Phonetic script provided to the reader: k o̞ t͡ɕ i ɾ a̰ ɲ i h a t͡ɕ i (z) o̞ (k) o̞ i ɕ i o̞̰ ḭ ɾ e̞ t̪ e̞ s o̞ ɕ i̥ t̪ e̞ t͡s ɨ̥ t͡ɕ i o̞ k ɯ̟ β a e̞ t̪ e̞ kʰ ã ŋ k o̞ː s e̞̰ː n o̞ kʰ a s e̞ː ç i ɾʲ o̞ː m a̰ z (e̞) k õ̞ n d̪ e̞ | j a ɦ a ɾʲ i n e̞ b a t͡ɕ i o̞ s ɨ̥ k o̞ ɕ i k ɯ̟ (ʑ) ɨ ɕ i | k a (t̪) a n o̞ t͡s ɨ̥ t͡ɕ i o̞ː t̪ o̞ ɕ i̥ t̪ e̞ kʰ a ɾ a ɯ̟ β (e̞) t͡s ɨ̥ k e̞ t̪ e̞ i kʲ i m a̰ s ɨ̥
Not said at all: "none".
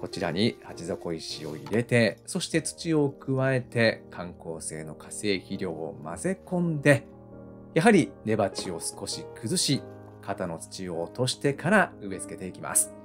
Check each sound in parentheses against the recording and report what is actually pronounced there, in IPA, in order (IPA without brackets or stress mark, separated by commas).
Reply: z, k, e̞, z, t̪, e̞